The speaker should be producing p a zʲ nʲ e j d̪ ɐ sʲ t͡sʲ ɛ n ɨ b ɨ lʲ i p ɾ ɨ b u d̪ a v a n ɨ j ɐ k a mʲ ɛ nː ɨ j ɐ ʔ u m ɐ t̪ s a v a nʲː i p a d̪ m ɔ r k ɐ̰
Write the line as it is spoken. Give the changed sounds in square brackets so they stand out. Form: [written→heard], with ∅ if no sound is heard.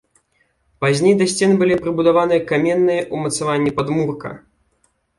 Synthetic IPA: p a zʲ nʲ e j d̪ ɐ sʲ t͡sʲ ɛ n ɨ b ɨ lʲ i p ɾ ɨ b u d̪ a v a n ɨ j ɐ k a mʲ ɛ nː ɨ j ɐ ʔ u m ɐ t̪ s a v a nʲː i p a d̪ m [ɔ→u] r k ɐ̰